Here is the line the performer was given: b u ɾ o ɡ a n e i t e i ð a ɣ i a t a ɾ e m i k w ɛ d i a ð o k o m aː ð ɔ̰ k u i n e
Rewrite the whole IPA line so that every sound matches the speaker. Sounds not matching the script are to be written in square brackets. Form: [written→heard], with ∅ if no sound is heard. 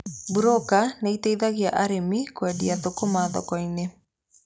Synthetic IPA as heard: b u ɾ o [ɡ→k] a n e i t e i ð a ɣ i a [t→ʔ] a ɾ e m i k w ɛ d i a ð o k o m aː ð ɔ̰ k [u→ɔ] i n e